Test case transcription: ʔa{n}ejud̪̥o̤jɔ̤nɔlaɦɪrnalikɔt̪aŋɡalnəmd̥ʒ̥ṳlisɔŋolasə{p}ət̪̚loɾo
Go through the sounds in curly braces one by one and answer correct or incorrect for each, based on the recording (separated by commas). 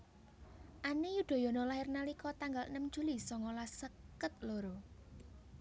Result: correct, incorrect